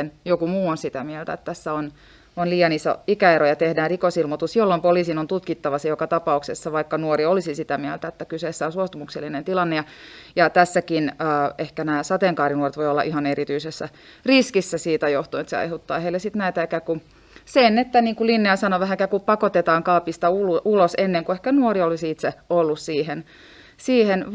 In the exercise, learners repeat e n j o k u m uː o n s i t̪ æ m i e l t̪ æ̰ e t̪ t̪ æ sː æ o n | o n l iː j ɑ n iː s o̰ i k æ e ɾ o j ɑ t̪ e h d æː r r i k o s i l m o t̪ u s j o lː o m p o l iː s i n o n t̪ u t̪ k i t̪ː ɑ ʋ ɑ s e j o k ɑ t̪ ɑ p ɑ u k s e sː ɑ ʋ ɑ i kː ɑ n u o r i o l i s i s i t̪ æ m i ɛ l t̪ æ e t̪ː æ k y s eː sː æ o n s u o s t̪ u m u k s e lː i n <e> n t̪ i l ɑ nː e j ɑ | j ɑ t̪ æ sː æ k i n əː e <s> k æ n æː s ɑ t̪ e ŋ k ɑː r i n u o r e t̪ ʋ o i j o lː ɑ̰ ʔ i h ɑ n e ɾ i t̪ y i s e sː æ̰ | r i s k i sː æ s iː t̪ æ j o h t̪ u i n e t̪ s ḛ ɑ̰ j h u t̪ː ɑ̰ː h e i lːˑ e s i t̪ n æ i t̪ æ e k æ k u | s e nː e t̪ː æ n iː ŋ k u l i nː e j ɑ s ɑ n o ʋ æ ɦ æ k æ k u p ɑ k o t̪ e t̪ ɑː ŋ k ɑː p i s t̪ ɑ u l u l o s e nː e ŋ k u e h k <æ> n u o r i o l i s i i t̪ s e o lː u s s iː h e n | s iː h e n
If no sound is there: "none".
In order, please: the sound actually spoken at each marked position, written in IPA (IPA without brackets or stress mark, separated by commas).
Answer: e, h, æ